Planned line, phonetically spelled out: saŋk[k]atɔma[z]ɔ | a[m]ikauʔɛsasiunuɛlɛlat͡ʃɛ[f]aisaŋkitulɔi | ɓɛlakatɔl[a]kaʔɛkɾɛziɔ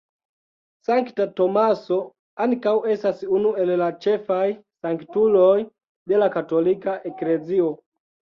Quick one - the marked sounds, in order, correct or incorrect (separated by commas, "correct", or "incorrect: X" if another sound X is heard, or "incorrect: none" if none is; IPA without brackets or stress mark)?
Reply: incorrect: t, incorrect: s, incorrect: n, correct, incorrect: i